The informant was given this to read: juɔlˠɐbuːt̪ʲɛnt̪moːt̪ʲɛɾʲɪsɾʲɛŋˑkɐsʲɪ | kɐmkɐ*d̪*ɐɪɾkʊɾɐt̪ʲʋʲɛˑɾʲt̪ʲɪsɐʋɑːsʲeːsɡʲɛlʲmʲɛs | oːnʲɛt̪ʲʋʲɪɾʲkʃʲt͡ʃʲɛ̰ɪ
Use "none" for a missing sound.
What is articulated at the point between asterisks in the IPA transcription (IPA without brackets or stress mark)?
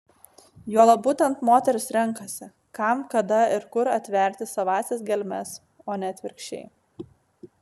d̪